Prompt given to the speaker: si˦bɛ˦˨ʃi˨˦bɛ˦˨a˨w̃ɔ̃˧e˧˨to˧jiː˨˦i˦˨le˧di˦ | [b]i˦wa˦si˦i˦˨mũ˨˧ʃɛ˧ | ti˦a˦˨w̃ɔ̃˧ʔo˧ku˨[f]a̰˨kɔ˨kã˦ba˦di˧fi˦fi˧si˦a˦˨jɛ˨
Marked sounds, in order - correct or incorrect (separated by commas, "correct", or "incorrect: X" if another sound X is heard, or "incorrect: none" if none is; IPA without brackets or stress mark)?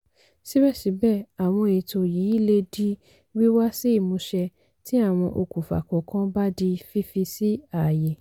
incorrect: w, correct